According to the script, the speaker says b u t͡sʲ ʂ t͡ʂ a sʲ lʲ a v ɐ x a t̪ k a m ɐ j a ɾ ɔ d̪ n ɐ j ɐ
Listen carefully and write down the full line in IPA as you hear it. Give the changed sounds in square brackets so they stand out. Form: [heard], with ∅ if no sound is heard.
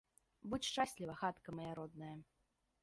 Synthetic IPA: b u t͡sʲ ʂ t͡ʂ a sʲ lʲ [i] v ɐ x a t̪ k [ɐ] m ɐ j a ɾ ɔ d̪ n ɐ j ɐ

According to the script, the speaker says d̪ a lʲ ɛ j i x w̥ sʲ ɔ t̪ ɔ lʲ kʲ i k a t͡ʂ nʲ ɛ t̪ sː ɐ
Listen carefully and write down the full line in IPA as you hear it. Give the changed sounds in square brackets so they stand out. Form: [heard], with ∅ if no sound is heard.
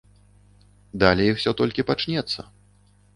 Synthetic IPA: d̪ a lʲ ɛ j i x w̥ sʲ ɔ t̪ ɔ lʲ kʲ i [p] a t͡ʂ nʲ ɛ t̪ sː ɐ

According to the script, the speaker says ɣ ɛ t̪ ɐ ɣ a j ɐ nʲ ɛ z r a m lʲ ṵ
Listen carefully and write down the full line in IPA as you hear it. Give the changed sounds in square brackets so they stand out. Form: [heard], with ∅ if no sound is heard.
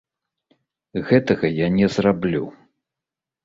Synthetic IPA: ɣ ɛ t̪ ɐ ɣ [ɐ] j [a] nʲ ɛ z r a [b] lʲ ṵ

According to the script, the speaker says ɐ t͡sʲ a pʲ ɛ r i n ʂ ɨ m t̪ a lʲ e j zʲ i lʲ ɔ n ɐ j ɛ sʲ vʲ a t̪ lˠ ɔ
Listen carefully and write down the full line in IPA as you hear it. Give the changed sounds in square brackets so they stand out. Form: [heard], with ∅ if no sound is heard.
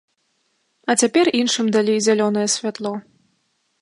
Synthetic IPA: ɐ t͡sʲ a pʲ ɛ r i n ʂ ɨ m [d̪] a lʲ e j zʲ [a] lʲ ɔ n ɐ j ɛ sʲ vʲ a t̪ lˠ ɔ

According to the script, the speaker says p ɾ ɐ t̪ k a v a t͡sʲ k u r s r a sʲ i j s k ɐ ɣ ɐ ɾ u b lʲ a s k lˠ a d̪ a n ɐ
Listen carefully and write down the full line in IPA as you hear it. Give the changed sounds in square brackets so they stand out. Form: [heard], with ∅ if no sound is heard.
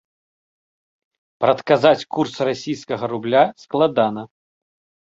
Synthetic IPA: p ɾ ɐ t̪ k a [z] a t͡sʲ k u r s r a sʲ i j s k ɐ ɣ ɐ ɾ u b lʲ a s k lˠ a d̪ a n ɐ

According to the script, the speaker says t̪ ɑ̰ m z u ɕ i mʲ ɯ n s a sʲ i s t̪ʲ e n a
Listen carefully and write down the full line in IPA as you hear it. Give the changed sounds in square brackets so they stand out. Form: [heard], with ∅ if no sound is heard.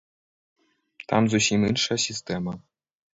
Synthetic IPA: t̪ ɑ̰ m z u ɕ i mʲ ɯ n [ʂ] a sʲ i s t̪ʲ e [m] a

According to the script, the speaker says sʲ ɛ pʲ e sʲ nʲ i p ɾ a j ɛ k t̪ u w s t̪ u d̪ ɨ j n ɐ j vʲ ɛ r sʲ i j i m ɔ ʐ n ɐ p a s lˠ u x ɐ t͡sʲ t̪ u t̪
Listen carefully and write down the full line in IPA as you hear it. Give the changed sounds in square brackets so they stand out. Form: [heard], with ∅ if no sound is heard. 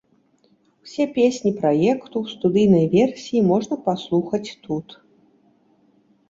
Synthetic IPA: sʲ ɛ pʲ e sʲ nʲ i p ɾ a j ɛ k t̪ u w s t̪ u d̪ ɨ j n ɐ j vʲ ɛ r sʲ i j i m ɔ ʐ n ɐ p a s lˠ u x ɐ t͡sʲ t̪ u t̪

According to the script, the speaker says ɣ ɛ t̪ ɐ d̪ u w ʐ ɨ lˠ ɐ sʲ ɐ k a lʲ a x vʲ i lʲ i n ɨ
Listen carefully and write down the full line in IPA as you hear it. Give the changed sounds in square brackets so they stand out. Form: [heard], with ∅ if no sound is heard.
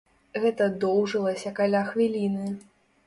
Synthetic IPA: ɣ ɛ t̪ ɐ d̪ [ɔ] w ʐ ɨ lˠ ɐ sʲ ɐ k a lʲ a x vʲ i lʲ i n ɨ

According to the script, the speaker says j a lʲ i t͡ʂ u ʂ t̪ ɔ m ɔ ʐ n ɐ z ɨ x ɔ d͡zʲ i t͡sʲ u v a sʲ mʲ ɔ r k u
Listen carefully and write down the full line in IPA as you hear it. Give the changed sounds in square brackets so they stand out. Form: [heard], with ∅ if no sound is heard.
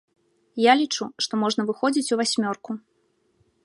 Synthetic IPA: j a lʲ i t͡ʂ u ʂ t̪ ɔ m ɔ ʐ n ɐ [v] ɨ x ɔ d͡zʲ i t͡sʲ u v a sʲ mʲ ɔ r k u

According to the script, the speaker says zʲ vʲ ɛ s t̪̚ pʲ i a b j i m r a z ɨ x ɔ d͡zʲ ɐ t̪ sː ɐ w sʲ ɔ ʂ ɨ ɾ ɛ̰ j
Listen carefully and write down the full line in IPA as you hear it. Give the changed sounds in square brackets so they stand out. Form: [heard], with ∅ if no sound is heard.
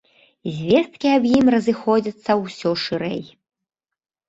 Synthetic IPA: zʲ vʲ ɛ s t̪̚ [kʲ] i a b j i m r [ɐ] z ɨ x ɔ d͡zʲ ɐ t̪ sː ɐ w sʲ ɔ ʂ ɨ ɾ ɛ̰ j

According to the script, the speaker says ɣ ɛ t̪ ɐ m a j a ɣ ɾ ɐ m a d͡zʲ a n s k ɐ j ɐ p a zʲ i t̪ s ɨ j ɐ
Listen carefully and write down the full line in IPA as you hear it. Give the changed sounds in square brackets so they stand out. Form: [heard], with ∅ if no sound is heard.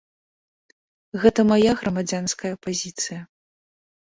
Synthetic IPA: ɣ ɛ t̪ ɐ m a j a ɣ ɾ ɐ m a d͡zʲ a n s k ɐ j ɐ p a zʲ i t̪ s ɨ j ɐ

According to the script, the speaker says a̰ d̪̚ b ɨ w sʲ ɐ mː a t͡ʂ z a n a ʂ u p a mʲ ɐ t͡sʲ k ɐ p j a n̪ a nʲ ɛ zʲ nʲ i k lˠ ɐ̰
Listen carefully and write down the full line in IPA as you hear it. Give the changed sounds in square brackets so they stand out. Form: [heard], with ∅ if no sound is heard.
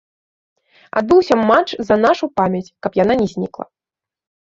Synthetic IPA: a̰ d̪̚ b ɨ w sʲ ɐ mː a t͡ʂ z [ɐ] n a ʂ u p a mʲ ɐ t͡sʲ k ɐ p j a n̪ a nʲ ɛ zʲ nʲ i k lˠ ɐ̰

